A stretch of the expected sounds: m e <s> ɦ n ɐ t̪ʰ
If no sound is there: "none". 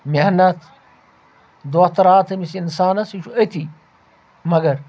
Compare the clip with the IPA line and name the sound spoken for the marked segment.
none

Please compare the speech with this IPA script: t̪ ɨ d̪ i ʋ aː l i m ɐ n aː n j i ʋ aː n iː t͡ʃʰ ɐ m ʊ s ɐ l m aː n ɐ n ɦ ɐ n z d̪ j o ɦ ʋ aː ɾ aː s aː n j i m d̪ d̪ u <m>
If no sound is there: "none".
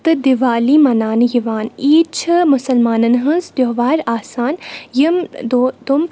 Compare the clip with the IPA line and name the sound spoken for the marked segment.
m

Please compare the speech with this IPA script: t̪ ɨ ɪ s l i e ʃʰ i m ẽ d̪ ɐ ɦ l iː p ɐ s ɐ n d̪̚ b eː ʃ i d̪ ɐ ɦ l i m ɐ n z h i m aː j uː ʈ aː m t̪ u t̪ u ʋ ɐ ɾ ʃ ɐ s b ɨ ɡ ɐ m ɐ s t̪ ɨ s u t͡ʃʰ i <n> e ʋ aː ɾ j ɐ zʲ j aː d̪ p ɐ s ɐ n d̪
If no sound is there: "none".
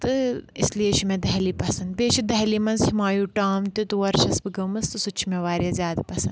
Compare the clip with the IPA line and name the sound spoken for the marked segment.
m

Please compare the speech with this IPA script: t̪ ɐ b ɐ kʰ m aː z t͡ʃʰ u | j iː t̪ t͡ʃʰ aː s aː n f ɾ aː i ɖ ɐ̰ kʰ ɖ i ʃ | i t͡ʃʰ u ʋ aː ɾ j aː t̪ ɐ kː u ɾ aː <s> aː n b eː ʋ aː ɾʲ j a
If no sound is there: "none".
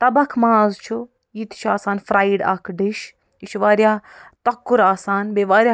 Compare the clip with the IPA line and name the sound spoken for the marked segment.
s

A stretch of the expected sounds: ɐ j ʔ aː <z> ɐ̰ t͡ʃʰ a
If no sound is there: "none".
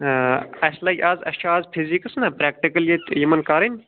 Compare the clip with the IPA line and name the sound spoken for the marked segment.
z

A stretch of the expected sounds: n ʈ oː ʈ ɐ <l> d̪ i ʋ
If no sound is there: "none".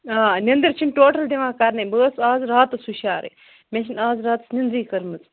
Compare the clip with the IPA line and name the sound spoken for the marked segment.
l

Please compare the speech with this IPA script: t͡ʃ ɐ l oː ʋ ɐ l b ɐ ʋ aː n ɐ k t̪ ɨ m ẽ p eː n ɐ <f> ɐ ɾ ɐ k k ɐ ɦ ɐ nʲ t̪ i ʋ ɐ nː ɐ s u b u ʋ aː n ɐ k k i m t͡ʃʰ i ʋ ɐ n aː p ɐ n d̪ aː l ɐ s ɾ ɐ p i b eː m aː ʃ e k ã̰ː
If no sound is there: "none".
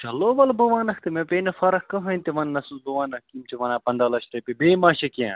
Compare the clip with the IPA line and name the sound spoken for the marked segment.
f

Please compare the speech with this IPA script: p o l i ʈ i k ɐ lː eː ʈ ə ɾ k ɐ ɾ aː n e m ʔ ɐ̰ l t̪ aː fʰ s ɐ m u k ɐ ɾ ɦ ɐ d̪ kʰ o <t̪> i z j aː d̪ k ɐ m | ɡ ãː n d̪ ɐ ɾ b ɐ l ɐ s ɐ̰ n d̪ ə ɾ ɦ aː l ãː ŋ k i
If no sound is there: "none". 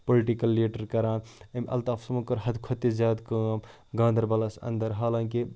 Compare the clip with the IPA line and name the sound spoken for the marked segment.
t̪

